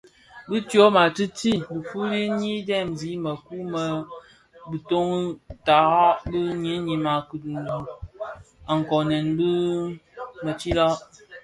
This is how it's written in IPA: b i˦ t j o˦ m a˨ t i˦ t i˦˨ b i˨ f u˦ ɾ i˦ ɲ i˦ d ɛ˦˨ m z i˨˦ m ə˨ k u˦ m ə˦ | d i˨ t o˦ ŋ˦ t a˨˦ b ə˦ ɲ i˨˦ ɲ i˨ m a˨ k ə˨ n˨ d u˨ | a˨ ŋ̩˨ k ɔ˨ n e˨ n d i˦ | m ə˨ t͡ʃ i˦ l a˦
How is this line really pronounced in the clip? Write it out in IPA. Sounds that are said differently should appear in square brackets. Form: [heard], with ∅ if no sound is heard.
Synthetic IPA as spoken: b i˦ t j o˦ m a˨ t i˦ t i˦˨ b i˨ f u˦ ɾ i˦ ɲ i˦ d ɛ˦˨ m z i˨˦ m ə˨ k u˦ m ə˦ | [b] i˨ t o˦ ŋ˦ t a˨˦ b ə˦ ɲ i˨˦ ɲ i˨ m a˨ k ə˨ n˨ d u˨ | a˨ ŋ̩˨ k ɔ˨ n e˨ n [b] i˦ | m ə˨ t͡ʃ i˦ l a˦

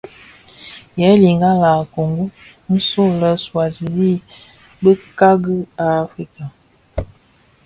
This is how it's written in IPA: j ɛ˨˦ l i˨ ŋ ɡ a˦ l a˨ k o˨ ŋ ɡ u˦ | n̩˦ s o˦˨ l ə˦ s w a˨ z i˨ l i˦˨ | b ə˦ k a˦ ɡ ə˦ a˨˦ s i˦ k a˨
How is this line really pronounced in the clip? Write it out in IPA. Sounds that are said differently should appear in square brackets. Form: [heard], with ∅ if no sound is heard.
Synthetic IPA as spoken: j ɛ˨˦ l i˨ ŋ ɡ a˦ l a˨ k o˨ ŋ ɡ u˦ | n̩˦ s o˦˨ l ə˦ s w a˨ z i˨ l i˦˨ | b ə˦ k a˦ ɡ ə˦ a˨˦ [f] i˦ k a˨

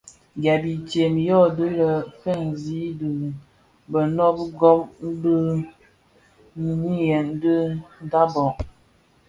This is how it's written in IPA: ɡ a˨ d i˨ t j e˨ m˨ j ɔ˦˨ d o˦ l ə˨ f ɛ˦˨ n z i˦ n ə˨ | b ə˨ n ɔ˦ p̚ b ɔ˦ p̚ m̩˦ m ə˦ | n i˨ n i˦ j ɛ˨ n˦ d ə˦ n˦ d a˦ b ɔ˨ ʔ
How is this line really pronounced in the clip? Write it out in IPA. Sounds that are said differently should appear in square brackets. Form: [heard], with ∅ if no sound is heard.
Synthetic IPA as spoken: ɡ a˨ [b] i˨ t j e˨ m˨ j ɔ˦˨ d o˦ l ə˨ f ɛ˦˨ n z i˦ [d] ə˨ | b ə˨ n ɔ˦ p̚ [ɡ] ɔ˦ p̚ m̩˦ [b] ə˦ | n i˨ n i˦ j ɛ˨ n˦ d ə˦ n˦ d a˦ b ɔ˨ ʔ

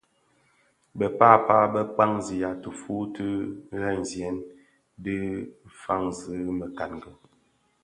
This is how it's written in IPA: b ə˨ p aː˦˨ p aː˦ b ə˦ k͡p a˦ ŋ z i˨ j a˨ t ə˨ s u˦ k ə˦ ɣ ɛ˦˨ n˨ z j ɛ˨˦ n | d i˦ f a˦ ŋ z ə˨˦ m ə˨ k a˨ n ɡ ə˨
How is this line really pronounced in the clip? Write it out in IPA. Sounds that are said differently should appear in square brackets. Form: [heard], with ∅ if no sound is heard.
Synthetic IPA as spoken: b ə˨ p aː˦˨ p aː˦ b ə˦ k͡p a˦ ŋ z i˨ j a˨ t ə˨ [f] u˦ [t] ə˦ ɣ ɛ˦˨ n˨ z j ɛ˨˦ n | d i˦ f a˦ ŋ z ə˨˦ m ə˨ k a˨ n ɡ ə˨

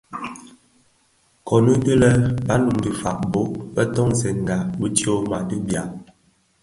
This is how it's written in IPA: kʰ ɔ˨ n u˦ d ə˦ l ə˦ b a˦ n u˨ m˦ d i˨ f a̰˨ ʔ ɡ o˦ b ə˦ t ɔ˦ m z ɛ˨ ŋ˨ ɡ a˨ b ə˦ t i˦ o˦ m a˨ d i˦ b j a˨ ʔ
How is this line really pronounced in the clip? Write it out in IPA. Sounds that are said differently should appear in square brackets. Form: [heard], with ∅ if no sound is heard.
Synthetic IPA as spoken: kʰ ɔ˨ n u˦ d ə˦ l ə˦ b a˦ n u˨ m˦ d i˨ f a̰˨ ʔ [b] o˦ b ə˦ t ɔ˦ [ŋ] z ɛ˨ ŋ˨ ɡ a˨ b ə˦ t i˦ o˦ m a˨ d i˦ b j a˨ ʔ

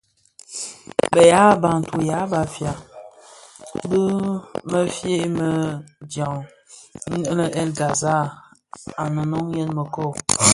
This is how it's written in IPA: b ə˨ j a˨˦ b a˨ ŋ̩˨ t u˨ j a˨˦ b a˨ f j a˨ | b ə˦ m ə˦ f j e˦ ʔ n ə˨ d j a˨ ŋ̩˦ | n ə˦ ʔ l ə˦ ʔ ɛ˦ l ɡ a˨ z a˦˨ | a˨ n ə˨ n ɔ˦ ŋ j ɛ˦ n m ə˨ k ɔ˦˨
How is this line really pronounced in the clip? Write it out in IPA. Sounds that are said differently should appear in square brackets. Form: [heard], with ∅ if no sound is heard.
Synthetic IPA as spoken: b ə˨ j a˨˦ b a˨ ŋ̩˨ t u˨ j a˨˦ b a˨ f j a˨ | b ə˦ m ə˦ f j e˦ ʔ [m] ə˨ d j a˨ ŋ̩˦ | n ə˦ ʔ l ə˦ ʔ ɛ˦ l ɡ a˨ z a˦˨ | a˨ n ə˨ n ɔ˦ ŋ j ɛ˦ n m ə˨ k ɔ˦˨

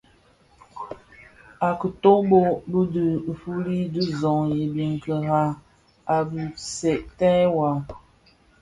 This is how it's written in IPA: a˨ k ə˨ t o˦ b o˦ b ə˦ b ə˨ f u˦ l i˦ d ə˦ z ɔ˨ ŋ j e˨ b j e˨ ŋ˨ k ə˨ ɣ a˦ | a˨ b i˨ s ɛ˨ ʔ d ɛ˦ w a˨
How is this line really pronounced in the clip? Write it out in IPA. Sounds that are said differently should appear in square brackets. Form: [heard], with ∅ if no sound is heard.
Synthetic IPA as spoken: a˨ k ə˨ t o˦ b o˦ b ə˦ [d] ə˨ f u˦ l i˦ d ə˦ z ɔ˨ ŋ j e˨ b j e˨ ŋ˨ k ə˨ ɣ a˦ | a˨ b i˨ s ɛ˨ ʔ [t] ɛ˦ w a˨

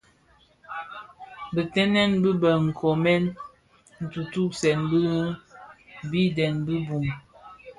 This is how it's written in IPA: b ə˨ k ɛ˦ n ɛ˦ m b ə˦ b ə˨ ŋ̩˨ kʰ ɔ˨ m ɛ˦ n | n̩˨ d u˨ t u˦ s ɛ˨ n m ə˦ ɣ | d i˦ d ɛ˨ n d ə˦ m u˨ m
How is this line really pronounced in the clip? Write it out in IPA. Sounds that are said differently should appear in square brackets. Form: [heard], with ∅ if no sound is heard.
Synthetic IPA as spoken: b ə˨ [t] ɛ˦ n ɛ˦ [n] b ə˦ b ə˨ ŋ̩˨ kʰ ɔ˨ m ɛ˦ n | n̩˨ [t] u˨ t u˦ s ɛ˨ n [b] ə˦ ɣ | [b] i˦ d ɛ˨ n [b] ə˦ [b] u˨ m

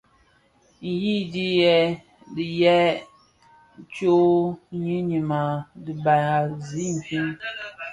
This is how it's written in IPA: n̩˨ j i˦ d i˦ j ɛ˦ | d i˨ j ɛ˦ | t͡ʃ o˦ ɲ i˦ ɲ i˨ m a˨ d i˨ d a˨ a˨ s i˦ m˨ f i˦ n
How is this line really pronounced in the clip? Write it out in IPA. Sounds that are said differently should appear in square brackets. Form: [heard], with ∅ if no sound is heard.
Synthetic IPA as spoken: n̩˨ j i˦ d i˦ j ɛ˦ | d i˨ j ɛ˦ | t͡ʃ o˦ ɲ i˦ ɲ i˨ m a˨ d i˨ [b] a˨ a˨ [z] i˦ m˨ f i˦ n

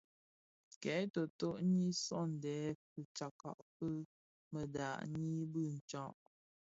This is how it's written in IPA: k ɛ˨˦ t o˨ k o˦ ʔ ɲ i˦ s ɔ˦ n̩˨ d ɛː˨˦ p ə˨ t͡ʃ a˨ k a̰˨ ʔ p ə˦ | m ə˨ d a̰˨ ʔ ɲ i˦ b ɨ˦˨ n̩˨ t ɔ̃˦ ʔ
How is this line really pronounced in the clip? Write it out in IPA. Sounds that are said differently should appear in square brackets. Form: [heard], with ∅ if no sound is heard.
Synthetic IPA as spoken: k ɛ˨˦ t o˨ [t] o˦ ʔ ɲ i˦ s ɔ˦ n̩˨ d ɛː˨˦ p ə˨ t͡ʃ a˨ k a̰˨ ʔ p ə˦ | m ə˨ d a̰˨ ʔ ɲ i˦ b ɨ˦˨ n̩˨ [t͡ʃ] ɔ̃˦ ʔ

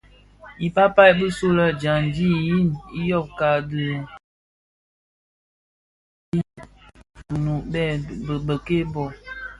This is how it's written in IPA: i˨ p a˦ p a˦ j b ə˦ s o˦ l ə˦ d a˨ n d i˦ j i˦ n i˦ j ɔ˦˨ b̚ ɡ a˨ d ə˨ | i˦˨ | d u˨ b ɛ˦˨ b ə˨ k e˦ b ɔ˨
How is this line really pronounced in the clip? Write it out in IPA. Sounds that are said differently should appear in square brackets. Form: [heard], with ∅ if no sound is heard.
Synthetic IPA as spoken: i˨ p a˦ p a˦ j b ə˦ s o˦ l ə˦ [d͡ʒ] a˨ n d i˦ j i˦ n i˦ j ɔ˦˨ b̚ [k] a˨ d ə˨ | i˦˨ | [n] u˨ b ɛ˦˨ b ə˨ k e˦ b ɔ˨

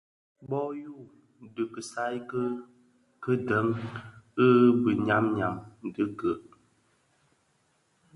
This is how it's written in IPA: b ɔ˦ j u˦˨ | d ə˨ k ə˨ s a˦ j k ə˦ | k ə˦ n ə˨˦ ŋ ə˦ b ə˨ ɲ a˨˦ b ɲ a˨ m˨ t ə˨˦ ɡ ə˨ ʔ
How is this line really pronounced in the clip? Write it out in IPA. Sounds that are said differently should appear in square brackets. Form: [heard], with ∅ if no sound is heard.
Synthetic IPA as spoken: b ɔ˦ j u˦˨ | d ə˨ k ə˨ s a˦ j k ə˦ | k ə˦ [d] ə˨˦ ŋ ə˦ b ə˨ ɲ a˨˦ [m] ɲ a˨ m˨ [d] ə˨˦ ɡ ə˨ ʔ

